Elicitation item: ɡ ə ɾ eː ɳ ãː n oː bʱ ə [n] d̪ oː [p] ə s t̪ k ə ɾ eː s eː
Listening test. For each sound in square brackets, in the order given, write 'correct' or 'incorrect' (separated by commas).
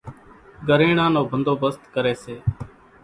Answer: correct, incorrect